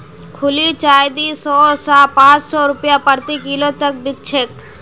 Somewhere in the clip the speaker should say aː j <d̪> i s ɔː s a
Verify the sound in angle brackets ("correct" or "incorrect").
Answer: correct